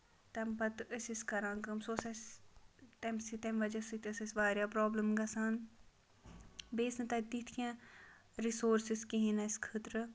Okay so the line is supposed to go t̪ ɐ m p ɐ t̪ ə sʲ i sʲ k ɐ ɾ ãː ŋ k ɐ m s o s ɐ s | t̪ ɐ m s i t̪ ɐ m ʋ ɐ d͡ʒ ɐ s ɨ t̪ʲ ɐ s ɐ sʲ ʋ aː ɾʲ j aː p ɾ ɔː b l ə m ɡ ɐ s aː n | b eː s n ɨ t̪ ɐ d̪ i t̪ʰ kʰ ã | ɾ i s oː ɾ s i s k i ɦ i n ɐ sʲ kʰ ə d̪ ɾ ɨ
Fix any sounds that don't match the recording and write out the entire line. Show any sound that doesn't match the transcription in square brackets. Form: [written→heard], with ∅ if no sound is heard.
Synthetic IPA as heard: t̪ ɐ m p ɐ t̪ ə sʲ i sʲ k ɐ ɾ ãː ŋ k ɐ m s o s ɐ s | t̪ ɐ m s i t̪ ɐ m ʋ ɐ d͡ʒ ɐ s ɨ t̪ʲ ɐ s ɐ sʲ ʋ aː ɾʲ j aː p ɾ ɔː b l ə m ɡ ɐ s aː n | b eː s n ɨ t̪ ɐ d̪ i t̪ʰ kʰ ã | ɾ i s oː ɾ s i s k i ɦ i n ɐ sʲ kʰ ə [d̪→t̪] ɾ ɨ